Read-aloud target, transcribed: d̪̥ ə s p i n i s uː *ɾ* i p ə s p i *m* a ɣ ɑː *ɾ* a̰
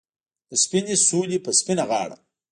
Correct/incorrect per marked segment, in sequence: incorrect, incorrect, incorrect

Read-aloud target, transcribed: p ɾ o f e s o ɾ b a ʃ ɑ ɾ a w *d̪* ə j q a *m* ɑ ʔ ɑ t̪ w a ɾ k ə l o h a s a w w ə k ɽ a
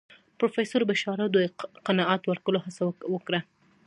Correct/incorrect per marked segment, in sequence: correct, incorrect

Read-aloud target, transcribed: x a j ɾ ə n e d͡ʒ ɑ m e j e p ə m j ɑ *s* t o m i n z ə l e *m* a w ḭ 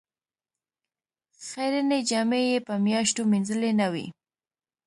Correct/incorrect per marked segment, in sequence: incorrect, incorrect

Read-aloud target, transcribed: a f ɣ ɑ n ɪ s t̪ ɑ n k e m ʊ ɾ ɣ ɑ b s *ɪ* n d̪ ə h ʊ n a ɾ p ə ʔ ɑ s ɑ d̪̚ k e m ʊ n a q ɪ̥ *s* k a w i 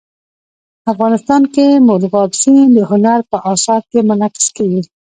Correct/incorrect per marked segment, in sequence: incorrect, correct

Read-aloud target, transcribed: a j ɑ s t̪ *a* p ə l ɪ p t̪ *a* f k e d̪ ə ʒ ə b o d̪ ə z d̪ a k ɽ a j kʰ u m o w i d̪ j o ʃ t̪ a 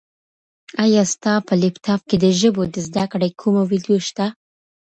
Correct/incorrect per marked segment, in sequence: incorrect, incorrect

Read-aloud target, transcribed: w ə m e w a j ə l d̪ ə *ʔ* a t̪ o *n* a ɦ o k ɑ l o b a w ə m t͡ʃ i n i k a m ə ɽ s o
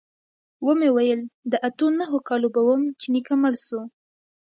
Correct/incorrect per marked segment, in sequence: correct, correct

